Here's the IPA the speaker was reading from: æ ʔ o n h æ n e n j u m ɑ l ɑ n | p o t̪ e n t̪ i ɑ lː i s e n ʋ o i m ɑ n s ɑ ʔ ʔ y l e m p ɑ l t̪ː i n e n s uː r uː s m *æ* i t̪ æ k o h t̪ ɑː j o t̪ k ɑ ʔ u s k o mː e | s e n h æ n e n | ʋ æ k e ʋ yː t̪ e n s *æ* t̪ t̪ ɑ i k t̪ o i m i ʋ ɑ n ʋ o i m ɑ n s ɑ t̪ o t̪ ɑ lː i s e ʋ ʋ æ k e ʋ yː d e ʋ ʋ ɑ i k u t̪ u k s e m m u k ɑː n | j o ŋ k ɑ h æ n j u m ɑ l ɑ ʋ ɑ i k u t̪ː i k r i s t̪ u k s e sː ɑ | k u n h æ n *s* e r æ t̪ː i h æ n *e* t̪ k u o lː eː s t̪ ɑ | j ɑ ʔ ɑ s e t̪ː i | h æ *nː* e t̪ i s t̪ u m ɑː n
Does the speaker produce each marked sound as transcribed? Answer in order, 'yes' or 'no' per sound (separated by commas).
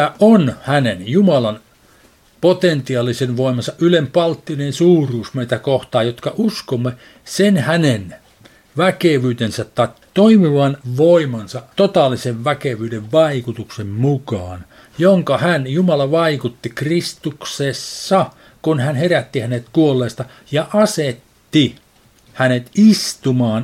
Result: no, yes, no, yes, no